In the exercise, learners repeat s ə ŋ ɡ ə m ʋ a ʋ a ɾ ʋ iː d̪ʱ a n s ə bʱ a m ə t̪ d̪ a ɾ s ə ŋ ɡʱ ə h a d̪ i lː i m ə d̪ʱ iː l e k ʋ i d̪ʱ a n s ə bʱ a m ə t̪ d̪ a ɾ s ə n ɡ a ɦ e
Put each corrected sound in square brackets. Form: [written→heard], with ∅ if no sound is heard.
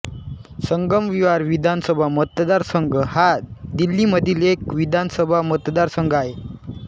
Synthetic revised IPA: s ə ŋ ɡ ə m ʋ [a→i] ʋ a ɾ ʋ [iː→i] d̪ʱ a n s ə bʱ a m ə t̪ d̪ a ɾ s ə ŋ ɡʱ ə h a d̪ i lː i m ə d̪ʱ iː l e k ʋ i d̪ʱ a n s ə bʱ a m ə t̪ d̪ a ɾ s ə [n→ŋ] ɡ a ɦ e